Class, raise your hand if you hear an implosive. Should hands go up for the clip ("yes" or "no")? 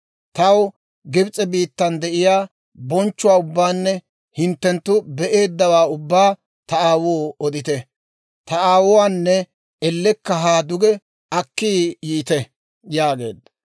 no